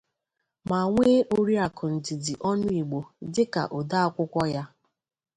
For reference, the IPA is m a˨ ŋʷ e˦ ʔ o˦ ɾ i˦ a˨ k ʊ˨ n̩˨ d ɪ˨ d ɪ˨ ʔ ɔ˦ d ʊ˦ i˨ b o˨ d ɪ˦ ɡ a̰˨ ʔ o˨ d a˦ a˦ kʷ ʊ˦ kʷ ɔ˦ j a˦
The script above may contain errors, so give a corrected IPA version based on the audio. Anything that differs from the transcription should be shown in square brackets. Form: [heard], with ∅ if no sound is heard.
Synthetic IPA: m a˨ ŋʷ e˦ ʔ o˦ ɾ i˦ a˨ k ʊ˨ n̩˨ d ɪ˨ d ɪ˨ ʔ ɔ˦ [n] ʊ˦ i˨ [ɡ͡b] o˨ d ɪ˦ [k] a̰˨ ʔ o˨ d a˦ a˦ kʷ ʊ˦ kʷ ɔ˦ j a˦

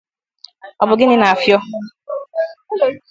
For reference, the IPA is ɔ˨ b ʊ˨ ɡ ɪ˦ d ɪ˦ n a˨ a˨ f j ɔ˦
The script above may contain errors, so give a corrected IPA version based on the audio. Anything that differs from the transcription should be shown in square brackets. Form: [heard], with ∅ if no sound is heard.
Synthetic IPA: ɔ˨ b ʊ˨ ɡ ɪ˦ [n] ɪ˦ n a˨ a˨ f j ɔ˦

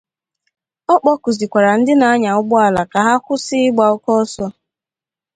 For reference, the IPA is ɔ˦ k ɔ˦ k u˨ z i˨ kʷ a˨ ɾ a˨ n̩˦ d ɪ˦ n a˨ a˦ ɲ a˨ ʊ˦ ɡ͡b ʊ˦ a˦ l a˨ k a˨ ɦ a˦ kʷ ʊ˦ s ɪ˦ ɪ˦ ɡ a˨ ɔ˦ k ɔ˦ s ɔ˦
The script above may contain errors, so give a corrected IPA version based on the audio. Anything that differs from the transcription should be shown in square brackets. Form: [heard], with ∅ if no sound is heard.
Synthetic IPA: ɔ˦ [k͡p] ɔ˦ k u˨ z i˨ kʷ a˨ ɾ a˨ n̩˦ d ɪ˦ n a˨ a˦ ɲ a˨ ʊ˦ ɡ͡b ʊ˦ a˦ l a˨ k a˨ ɦ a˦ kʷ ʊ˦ s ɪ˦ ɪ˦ [ɡ͡b] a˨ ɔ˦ k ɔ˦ s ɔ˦

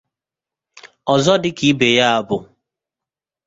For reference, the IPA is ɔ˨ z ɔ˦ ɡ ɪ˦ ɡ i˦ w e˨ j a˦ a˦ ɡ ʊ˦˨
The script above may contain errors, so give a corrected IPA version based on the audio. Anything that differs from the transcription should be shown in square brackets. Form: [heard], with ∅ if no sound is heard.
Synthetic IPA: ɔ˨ z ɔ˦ [d] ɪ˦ [k] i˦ [b] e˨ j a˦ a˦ [b] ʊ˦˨

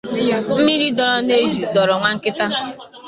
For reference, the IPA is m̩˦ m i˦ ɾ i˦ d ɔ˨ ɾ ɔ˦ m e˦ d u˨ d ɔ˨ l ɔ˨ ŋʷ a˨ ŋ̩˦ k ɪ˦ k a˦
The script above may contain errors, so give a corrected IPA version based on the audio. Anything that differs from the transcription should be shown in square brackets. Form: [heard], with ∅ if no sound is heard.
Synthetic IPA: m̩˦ m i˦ ɾ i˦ d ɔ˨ ɾ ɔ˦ [n] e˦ [d͡ʒ] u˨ d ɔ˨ [ɾ] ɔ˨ ŋʷ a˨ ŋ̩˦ k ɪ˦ [t] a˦

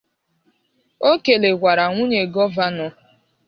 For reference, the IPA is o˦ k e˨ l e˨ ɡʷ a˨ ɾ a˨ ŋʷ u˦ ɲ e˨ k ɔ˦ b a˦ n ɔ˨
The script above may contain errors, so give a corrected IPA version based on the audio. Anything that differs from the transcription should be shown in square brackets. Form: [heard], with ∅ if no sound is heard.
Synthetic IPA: o˦ k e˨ l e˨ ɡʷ a˨ ɾ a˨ ŋʷ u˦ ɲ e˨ [ɡ] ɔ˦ [v] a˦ n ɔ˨

